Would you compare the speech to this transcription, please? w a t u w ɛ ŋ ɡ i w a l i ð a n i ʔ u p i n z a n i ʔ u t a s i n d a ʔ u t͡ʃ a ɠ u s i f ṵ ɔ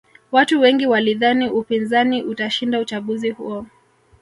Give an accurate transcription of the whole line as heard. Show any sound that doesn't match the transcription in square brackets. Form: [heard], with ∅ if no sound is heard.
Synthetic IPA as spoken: w a t u w ɛ ŋ ɡ i w a l i ð a n i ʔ u p i n z a n i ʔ u t a [ʃ] i n d a [∅] u t͡ʃ a ɠ u [z] i [h] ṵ ɔ